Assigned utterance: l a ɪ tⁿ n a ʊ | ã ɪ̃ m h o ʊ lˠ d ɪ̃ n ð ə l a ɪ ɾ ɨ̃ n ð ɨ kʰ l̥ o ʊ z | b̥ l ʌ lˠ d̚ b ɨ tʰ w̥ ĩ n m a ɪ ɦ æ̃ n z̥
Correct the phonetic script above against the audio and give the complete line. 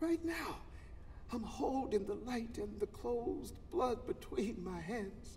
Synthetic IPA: ɹ a ɪ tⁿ n a ʊ | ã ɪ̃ m h o ʊ lˠ d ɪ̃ ŋ ð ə l a ɪ ɾ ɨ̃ n ð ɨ kʰ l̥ o ʊ z | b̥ l ʌ d̚ b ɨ tʰ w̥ ĩ n m a ɪ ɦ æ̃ n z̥